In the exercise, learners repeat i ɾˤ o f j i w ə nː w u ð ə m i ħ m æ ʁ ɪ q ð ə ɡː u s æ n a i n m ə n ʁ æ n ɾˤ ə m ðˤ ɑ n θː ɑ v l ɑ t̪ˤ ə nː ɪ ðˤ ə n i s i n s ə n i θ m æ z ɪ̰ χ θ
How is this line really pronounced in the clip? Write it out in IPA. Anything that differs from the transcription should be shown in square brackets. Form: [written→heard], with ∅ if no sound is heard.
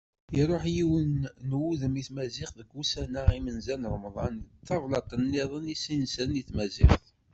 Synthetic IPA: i ɾˤ o [f→ħ] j i w ə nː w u ð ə m i [ħ→θ] m æ [ʁ→z] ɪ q ð ə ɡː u s æ n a i [n→∅] m ə n [ʁ→z] æ n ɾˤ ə m ðˤ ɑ n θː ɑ v l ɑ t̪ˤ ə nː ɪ ðˤ ə n i s i n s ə n i θ m æ z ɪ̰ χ θ